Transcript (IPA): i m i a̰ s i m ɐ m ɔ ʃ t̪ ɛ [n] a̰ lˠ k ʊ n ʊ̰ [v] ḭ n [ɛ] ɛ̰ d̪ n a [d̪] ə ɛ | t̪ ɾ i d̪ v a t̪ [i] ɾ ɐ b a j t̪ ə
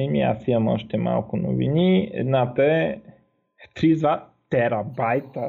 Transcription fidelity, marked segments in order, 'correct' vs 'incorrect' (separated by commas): incorrect, correct, incorrect, incorrect, incorrect